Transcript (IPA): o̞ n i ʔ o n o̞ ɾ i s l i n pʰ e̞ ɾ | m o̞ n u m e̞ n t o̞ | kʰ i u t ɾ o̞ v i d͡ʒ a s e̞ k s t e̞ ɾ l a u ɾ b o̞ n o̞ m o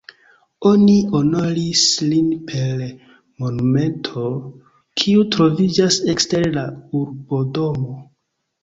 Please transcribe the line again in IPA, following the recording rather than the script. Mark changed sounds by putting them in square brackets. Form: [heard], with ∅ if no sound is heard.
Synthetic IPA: o̞ n i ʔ o n o̞ ɾ i s l i n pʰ e̞ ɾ | m o̞ n u m e̞ n [tʰ] o̞ | kʰ i u t ɾ o̞ v i d͡ʒ a s e̞ k s t e̞ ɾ l a u ɾ b o̞ [d] o̞ m o